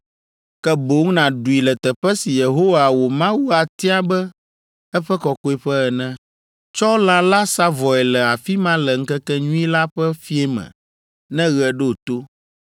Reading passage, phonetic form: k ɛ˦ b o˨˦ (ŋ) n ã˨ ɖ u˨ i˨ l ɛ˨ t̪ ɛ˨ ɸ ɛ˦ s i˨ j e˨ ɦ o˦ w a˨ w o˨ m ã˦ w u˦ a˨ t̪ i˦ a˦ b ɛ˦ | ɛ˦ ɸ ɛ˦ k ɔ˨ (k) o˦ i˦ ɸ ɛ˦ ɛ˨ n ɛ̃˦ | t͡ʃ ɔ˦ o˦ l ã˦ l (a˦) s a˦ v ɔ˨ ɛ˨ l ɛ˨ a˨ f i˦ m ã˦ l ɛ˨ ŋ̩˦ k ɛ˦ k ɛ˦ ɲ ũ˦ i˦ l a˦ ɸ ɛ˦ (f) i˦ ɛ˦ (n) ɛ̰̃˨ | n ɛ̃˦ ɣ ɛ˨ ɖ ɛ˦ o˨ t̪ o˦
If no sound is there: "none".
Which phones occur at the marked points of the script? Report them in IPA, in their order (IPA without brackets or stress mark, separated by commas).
ŋ, k, a˦, f, m